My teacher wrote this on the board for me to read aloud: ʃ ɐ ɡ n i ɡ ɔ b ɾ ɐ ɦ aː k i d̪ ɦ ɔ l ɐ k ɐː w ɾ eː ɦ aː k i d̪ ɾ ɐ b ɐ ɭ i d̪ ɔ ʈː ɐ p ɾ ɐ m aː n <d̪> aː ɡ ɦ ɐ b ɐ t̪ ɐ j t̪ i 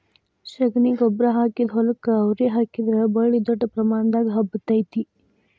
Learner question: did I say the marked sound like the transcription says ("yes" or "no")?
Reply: yes